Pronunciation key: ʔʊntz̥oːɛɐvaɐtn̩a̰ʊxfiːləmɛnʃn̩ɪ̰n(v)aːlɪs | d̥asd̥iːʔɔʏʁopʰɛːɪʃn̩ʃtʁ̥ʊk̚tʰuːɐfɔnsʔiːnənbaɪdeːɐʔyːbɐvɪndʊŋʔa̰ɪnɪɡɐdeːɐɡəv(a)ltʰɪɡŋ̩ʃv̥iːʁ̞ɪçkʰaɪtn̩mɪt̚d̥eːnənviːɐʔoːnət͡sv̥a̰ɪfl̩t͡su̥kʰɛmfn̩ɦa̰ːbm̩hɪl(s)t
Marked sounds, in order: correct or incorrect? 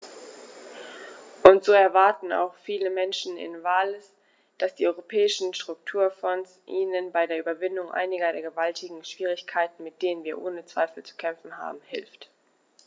correct, correct, incorrect: f

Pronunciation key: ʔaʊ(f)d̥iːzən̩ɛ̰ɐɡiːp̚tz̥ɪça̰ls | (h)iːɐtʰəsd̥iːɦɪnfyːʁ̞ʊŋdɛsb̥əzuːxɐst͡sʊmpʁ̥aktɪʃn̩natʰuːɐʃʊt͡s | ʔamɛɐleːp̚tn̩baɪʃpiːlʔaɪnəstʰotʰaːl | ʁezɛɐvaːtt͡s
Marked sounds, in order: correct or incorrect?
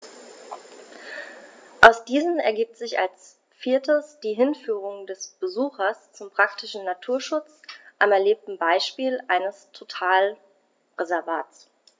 incorrect: s, incorrect: f

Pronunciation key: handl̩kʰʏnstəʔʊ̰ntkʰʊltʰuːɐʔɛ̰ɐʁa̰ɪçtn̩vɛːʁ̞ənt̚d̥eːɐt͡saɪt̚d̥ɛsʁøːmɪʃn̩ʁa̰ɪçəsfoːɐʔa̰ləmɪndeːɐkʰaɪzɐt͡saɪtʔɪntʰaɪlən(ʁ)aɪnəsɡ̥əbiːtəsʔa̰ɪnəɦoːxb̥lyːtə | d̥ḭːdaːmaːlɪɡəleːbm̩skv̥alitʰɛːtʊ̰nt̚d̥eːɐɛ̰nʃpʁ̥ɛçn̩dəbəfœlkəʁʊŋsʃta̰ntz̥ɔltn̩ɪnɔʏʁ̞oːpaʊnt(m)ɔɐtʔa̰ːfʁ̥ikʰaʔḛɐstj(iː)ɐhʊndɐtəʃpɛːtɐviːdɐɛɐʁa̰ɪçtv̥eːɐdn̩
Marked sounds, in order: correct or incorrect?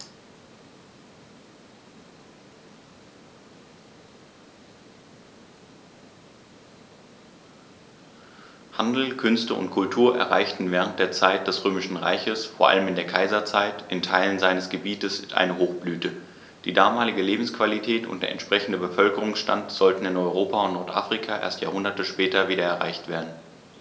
incorrect: z, incorrect: n, incorrect: aː

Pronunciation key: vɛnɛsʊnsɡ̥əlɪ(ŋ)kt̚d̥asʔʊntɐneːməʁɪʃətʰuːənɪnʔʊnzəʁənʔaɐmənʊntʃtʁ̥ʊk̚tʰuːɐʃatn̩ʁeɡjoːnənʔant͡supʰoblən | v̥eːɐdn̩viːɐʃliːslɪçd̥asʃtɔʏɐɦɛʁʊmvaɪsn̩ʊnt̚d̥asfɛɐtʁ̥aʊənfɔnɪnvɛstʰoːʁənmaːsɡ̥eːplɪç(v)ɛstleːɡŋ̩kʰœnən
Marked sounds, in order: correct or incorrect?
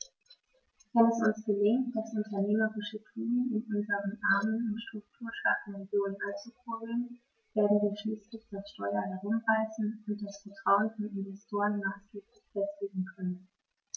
correct, incorrect: f

